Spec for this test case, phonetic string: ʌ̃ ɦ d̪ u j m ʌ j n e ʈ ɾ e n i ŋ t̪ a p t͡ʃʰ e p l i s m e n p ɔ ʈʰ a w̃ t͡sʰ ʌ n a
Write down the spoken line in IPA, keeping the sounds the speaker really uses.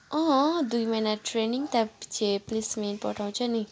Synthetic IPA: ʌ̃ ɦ d̪ u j m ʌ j n a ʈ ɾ e n i ŋ t̪ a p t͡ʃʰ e p l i s m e n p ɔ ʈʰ a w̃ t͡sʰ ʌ n i